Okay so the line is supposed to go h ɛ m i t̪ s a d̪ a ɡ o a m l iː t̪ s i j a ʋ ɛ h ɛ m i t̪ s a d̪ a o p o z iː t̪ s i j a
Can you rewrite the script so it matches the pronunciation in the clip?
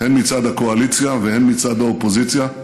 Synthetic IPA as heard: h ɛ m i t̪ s a d̪ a k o a l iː t̪ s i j a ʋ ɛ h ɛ m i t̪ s a d̪ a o p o z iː t̪ s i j a